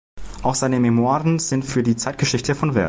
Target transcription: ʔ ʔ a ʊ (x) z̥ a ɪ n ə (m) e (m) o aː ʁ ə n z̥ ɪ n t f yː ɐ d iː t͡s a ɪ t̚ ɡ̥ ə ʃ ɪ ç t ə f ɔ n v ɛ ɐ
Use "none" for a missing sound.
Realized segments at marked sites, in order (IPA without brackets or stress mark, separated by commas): x, m, m